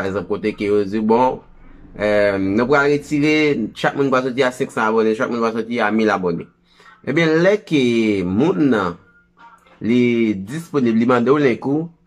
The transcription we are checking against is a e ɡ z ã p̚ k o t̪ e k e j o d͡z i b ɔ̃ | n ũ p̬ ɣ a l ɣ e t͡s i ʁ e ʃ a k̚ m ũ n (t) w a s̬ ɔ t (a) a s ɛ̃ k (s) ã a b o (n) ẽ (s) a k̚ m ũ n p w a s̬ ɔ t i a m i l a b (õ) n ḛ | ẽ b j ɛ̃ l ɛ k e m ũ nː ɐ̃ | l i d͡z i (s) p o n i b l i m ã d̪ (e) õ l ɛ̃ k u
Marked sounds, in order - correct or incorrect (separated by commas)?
incorrect, incorrect, correct, correct, incorrect, incorrect, correct, correct